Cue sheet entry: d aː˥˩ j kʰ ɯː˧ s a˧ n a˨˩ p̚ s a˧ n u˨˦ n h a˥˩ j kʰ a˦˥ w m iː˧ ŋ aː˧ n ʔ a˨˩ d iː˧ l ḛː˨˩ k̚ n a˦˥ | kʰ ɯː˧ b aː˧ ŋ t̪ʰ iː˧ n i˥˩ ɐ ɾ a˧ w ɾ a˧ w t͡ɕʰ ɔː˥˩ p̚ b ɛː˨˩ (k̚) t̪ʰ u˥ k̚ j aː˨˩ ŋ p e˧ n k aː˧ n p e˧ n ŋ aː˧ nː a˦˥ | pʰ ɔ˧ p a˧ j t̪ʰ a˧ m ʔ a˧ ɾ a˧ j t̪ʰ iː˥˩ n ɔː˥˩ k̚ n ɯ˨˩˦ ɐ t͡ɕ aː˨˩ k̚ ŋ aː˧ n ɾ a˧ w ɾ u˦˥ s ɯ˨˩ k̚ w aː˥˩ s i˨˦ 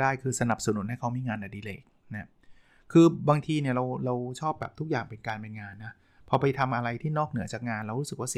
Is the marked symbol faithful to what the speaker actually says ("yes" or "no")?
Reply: no